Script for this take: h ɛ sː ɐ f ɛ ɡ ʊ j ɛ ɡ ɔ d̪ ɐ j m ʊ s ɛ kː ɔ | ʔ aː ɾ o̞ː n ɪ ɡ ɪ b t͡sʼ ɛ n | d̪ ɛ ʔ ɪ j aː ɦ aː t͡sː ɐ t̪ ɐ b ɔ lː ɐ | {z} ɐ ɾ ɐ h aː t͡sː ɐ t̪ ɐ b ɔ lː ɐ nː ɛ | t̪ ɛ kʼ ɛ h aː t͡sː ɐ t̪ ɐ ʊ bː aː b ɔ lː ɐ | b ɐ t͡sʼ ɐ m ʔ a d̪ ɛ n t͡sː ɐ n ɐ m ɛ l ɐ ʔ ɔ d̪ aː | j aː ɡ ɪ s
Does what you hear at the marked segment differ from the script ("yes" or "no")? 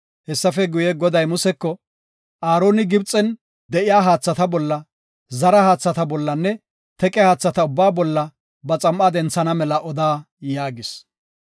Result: no